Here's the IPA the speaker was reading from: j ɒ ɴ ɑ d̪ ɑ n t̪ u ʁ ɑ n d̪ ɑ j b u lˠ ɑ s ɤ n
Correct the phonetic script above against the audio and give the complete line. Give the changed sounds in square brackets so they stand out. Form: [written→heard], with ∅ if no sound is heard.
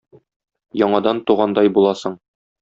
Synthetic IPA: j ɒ ɴ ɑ d̪ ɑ n t̪ u ʁ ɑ n d̪ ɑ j b u lˠ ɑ s ɤ [n→ɴ]